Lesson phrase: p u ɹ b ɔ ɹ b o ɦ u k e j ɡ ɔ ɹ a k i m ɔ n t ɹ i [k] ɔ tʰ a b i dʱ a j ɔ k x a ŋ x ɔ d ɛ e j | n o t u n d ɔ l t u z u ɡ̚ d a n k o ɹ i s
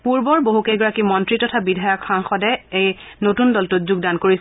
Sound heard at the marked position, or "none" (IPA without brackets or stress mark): t